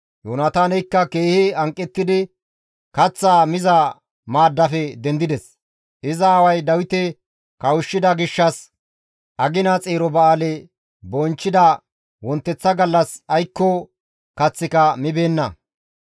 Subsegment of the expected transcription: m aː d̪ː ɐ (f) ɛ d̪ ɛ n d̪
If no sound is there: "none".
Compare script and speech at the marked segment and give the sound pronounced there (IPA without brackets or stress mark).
f